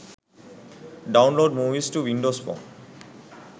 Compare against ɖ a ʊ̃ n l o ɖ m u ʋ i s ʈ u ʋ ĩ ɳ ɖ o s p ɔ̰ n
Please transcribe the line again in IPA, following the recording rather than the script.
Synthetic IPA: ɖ a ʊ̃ n l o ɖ m u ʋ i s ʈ u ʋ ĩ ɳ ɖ o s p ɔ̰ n